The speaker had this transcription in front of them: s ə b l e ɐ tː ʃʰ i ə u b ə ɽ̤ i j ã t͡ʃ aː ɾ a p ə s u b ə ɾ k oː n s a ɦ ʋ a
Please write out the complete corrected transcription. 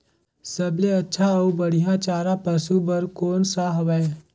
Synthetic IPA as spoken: s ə b l e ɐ tː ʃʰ a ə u b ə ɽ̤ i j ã t͡ʃ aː ɾ a p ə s u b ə ɾ k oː n s a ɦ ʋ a

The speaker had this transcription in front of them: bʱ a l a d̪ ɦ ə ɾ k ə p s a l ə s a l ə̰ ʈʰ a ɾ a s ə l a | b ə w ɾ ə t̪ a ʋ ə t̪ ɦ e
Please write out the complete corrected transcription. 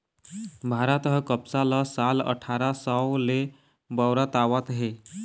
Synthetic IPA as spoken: bʱ a ɾ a t̪ ɦ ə k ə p s a l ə s a l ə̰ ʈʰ a ɾ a s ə l e | b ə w ɾ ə t̪ a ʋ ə t̪ ɦ e

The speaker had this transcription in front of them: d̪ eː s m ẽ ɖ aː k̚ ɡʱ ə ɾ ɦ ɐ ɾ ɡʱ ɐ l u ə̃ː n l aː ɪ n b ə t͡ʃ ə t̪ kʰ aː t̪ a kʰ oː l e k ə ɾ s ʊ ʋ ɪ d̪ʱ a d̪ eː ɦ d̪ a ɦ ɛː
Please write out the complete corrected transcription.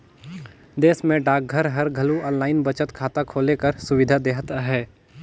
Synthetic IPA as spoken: d̪ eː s m ẽ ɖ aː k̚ ɡʱ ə ɾ ɦ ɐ ɾ ɡʱ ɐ l u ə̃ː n l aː ɪ n b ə t͡ʃ ə t̪ kʰ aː t̪ a kʰ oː l e k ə ɾ s ʊ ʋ ɪ d̪ʱ a d̪ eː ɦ t̪ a ɦ ɛː

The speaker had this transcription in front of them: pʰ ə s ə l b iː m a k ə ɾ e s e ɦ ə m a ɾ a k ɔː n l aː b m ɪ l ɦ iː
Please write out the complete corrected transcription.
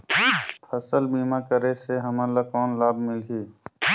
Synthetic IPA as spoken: pʰ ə s ə l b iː m a k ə ɾ e s e ɦ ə m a l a k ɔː n l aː b m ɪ l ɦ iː

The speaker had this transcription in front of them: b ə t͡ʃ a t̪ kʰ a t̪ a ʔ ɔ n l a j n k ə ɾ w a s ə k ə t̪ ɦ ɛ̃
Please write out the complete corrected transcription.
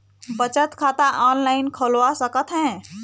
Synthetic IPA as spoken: b ə t͡ʃ ə t̪ kʰ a t̪ a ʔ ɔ n l a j n kʰ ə l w a s ə k ə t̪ ɦ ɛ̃

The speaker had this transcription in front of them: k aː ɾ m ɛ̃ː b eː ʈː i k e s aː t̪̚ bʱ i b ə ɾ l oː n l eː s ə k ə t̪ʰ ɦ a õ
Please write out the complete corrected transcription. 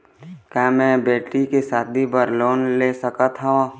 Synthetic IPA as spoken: k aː m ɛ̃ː b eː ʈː i k e s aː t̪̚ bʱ i b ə ɾ l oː n l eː s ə k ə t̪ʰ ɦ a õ

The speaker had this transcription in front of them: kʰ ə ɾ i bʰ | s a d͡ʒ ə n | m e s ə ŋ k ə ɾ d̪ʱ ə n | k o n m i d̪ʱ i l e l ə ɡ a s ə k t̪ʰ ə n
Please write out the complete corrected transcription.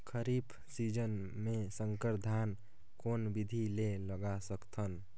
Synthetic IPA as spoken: kʰ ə ɾ i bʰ | s i d͡ʒ ə n | m e s ə ŋ k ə ɾ d̪ʱ a n | k o n b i d̪ʱ i l e l ə ɡ a s ə k t̪ʰ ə n

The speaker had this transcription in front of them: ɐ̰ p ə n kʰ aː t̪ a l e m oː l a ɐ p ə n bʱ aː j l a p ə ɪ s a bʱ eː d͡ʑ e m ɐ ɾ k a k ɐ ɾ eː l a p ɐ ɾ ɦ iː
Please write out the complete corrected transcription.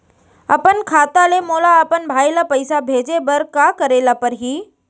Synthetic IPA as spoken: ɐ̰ p ə n kʰ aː t̪ a l e m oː l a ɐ p ə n bʱ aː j l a p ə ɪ s a bʱ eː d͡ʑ e b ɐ ɾ k a k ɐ ɾ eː l a p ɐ ɾ ɦ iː

